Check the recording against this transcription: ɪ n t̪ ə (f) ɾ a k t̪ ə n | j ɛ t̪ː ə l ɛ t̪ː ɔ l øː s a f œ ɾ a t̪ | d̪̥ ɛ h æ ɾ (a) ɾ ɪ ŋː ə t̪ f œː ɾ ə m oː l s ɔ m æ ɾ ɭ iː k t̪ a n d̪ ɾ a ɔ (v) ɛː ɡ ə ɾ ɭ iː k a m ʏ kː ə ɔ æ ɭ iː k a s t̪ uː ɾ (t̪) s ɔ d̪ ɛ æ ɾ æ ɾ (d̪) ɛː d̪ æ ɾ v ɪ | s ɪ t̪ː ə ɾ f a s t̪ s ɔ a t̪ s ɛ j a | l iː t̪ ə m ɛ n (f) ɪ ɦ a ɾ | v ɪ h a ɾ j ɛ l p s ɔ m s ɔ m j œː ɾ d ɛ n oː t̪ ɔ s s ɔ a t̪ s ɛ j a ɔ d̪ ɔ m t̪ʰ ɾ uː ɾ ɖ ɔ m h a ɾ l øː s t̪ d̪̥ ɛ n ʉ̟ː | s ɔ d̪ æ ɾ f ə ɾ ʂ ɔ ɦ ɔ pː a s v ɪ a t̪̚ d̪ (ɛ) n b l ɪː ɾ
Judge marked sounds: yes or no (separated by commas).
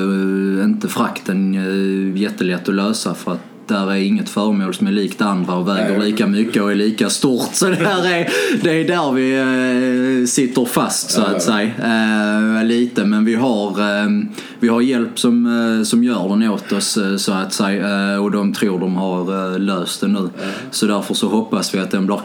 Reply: yes, no, yes, yes, yes, no, yes